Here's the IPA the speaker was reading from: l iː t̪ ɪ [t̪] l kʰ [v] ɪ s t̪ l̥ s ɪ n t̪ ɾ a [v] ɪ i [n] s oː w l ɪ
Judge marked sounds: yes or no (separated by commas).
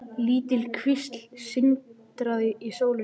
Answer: no, yes, no, no